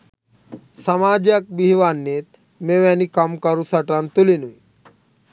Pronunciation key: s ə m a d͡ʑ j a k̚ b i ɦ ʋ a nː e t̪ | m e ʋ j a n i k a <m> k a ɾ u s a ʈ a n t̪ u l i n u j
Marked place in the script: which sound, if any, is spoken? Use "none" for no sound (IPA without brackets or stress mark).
m